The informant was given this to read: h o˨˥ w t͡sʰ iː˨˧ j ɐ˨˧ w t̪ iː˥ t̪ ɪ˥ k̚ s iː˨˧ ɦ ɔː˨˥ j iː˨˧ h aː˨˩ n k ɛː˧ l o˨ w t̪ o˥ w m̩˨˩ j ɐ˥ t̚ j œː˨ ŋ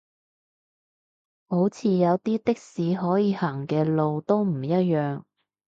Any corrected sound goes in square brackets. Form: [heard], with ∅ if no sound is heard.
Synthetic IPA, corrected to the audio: h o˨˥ w t͡sʰ iː˨˧ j ɐ˨˧ w t̪ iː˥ t̪ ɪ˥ k̚ s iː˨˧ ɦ ɔː˨˥ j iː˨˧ h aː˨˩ [ŋ] k ɛː˧ l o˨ w t̪ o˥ w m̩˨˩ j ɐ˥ t̚ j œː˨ ŋ